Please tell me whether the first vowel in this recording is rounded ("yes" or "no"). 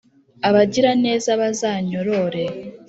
no